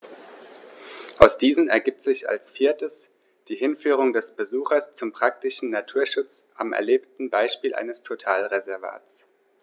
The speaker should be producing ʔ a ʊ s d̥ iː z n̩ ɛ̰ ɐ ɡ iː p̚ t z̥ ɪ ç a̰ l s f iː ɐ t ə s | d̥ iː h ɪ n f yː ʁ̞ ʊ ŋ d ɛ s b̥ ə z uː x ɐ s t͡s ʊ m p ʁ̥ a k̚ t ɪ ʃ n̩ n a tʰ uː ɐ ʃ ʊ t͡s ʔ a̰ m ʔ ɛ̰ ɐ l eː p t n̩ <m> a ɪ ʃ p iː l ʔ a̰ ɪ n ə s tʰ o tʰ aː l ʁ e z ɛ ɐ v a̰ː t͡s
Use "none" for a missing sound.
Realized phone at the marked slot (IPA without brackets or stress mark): b